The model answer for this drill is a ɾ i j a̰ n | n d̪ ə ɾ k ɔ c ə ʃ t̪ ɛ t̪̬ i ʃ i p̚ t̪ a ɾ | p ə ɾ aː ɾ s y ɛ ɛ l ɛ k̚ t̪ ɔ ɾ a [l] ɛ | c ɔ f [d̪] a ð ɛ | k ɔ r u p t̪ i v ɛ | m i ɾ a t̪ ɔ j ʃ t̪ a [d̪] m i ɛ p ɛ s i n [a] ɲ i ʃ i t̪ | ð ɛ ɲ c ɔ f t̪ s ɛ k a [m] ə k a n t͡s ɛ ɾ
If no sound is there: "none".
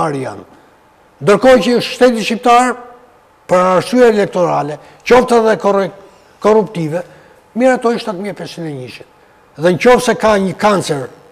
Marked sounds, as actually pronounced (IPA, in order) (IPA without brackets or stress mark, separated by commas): l, t̪, t̪, ɛ, ɲ